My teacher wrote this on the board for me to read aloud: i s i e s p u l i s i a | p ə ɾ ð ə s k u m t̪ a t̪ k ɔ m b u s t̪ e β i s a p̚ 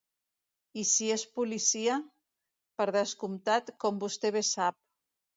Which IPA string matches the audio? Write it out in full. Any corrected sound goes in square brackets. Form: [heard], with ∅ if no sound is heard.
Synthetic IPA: i s i e s p u l i s i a | p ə ɾ ð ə s k u m t̪ a t̪ k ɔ m b u s t̪ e β [e] s a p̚